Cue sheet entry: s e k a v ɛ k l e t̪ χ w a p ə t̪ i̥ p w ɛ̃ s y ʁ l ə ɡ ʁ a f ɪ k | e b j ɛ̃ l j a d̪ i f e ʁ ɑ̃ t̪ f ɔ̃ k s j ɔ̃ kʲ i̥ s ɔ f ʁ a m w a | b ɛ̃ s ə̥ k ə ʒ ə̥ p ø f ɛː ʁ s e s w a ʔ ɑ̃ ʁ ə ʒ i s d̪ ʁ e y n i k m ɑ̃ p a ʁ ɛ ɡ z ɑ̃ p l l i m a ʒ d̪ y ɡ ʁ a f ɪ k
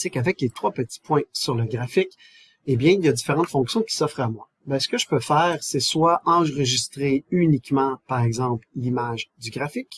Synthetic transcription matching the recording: s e k a v ɛ k l e t̪ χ w a p ə t̪ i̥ p w ɛ̃ s y ʁ l ə ɡ ʁ a f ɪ k | e b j ɛ̃ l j a d̪ i f e ʁ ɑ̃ t̪ f ɔ̃ k s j ɔ̃ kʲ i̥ s ɔ f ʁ a m w a | b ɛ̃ s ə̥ k ə ʒ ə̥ p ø f ɛː ʁ s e s w a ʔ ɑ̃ ʁ ə ʒ i s t̪ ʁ e y n i k m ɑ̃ p a ʁ ɛ ɡ z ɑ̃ p l l i m a ʒ d̪ y ɡ ʁ a f ɪ k